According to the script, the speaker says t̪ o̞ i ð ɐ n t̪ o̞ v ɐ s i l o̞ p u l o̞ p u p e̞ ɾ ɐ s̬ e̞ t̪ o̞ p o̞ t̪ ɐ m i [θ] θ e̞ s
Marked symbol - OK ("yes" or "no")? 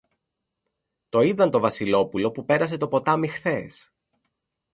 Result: no